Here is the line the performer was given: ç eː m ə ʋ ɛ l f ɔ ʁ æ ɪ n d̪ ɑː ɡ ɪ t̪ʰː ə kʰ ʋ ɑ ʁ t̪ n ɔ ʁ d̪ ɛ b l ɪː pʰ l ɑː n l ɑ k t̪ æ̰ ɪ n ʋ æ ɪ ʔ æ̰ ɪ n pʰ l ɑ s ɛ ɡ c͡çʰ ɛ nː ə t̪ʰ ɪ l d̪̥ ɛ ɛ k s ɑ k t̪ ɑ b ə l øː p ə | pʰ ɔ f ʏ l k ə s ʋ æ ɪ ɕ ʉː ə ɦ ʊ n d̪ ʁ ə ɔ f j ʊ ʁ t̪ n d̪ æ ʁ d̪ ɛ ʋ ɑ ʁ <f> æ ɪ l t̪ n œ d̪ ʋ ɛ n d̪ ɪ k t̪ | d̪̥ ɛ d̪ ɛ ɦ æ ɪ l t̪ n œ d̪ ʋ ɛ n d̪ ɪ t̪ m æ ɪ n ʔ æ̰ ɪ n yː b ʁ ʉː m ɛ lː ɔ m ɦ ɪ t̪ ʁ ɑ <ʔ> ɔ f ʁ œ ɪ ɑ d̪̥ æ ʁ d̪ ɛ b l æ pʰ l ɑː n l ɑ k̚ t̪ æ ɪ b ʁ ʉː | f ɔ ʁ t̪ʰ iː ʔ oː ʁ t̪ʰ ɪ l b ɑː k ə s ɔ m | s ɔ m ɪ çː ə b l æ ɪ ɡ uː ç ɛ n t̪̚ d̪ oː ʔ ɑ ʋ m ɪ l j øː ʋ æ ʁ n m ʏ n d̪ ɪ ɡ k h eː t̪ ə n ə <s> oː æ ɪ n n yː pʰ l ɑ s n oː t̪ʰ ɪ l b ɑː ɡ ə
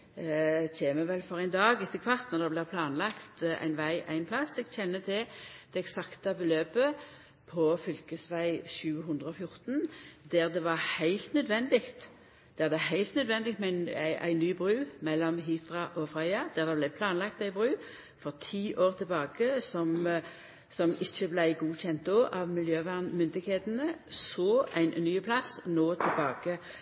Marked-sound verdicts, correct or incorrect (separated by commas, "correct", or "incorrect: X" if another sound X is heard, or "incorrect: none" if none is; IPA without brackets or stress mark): incorrect: h, correct, correct